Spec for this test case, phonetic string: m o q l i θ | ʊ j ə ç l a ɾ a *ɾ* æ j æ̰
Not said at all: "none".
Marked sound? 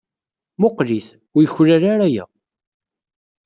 ɾ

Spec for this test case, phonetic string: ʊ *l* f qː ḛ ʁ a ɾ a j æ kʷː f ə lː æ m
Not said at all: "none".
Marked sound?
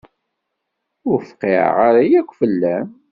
ɾ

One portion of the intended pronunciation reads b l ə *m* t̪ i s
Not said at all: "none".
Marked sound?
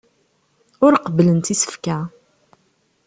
n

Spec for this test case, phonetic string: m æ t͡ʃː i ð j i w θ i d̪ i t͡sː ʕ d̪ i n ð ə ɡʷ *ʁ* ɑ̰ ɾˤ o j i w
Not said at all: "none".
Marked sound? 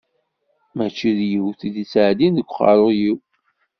χ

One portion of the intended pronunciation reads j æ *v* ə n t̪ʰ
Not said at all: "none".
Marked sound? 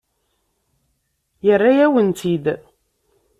w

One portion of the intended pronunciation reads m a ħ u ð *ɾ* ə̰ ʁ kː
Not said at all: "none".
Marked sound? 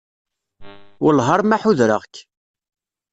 ɾ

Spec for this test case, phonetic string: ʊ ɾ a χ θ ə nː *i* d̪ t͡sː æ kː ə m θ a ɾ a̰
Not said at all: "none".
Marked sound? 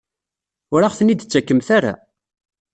i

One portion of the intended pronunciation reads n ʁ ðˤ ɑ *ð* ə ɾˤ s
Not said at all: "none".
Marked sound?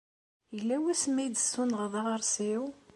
ʁ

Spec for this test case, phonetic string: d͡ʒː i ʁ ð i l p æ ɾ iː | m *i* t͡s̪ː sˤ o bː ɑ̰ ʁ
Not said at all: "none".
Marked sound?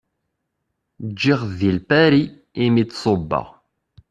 i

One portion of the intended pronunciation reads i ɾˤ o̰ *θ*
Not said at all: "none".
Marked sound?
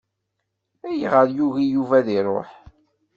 ħ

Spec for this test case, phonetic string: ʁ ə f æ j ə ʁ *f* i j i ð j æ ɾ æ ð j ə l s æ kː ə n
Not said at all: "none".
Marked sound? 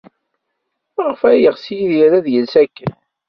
s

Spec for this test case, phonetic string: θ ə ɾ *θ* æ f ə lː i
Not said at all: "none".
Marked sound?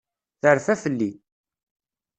f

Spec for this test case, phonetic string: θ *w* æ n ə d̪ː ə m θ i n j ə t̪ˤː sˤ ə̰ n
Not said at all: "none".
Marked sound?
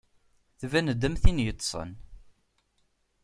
v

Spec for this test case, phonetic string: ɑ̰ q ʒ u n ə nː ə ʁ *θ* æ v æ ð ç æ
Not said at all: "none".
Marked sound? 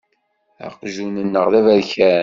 ð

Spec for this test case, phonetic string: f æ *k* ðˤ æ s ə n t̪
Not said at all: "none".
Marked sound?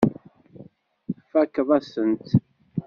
k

